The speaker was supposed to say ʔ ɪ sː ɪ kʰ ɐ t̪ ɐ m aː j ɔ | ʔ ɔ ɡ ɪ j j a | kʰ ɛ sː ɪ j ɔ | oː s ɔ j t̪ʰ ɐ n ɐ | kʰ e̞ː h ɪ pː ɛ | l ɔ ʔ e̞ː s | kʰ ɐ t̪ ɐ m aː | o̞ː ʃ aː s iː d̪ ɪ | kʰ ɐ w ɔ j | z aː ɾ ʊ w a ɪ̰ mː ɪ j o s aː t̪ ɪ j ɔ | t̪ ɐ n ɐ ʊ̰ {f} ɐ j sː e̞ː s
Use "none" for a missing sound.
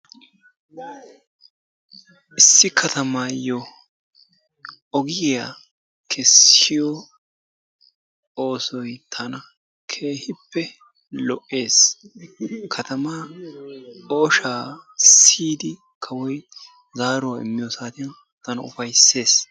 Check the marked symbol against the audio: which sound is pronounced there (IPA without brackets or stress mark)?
f